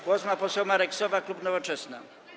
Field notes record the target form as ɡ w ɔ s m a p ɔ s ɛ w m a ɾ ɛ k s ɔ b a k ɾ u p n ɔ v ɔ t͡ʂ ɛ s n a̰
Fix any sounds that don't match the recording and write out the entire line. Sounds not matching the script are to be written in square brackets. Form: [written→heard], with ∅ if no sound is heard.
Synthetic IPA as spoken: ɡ w ɔ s m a p ɔ s ɛ w m a ɾ ɛ k s ɔ [b→v] a k [ɾ→l] u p n ɔ v ɔ t͡ʂ ɛ s n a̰